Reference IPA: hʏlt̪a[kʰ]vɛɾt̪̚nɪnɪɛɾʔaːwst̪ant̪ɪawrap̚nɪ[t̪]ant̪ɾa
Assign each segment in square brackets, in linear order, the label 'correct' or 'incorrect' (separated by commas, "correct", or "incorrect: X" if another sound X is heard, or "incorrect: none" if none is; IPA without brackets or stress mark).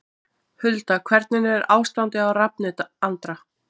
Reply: correct, correct